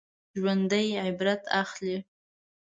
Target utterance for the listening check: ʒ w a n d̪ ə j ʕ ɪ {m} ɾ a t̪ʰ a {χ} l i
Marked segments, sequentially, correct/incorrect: incorrect: b, correct

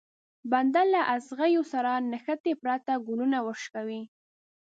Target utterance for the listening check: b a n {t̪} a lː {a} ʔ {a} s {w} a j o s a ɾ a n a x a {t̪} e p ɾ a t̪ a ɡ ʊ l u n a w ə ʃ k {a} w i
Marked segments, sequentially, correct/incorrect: incorrect: d̪, correct, correct, incorrect: ɣ, correct, correct

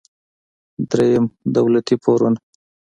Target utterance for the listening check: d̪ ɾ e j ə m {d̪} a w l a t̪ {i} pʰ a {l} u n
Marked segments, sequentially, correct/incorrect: correct, correct, incorrect: ɾ

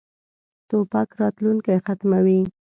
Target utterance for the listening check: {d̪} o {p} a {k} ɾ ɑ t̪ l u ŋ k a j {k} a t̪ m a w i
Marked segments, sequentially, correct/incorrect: incorrect: t̪, correct, correct, incorrect: x

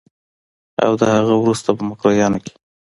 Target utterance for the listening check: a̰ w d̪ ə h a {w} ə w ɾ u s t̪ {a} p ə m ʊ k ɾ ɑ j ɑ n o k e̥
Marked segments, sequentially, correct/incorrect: incorrect: ɣ, correct

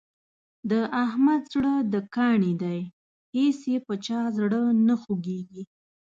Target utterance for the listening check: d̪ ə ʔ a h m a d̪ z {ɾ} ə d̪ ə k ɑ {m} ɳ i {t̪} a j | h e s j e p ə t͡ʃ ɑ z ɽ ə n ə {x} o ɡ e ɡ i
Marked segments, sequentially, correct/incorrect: incorrect: ɽ, incorrect: none, incorrect: d̪, correct

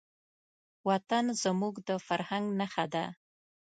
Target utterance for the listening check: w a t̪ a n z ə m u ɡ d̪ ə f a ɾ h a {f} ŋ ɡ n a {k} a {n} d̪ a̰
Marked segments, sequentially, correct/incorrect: incorrect: none, incorrect: x, incorrect: none

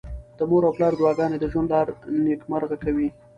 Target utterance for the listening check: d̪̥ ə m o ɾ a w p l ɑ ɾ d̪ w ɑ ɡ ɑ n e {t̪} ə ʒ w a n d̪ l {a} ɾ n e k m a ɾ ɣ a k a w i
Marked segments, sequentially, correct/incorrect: incorrect: d̪, incorrect: ɑ

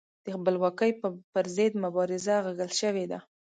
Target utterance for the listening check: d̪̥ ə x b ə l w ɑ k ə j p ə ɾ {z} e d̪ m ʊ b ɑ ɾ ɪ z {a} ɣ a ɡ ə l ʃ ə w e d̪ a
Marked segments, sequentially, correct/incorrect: correct, correct

